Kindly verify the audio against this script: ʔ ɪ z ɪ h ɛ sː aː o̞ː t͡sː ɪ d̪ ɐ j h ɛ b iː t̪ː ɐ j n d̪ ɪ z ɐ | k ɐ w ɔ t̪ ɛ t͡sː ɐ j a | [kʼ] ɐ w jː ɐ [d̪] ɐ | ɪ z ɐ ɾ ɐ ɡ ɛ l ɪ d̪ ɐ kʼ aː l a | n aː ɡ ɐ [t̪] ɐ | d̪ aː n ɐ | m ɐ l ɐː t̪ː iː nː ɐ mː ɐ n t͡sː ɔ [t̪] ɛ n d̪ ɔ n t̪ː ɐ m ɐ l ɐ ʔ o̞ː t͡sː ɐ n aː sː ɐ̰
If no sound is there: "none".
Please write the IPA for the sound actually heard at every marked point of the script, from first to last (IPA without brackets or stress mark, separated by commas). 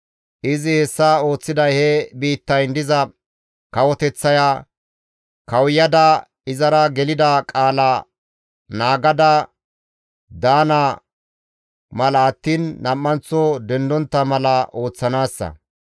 k, d̪, d̪, d̪